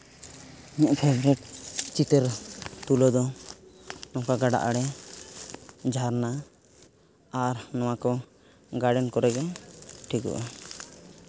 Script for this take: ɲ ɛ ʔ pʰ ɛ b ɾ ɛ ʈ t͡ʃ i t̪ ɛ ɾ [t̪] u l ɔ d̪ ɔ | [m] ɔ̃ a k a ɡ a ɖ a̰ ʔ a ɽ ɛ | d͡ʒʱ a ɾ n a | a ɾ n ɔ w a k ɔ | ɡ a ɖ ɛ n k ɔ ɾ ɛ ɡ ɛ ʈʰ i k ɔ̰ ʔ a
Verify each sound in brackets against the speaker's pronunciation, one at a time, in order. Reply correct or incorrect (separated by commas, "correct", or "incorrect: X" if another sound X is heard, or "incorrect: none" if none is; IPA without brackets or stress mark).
correct, incorrect: n